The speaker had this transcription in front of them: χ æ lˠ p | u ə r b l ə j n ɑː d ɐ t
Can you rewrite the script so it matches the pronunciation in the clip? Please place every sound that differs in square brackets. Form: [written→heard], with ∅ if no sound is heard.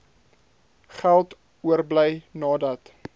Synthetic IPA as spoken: χ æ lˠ [p→t] | u ə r b l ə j n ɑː d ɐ t